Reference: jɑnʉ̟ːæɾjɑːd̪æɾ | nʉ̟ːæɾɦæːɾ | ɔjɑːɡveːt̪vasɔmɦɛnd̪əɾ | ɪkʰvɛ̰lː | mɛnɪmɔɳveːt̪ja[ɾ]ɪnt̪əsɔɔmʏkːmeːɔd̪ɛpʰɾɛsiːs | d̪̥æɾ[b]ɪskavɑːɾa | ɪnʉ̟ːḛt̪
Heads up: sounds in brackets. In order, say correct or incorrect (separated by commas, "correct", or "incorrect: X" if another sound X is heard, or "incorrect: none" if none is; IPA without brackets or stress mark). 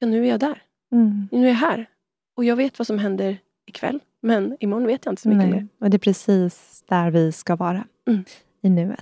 incorrect: none, incorrect: v